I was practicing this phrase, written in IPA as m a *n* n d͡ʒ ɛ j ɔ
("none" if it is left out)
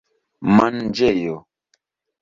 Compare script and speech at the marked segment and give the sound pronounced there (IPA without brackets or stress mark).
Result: n